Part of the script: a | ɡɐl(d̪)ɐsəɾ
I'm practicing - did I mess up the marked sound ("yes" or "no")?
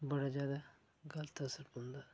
yes